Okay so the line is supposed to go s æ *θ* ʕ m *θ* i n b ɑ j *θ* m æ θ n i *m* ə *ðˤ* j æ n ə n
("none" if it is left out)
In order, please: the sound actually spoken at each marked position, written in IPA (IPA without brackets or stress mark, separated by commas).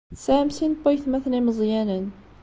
none, s, θ, m, zˤ